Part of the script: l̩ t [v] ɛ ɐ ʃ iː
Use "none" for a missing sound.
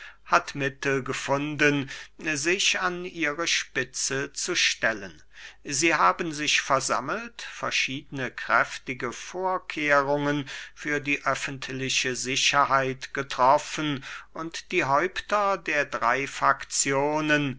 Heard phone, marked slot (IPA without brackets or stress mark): f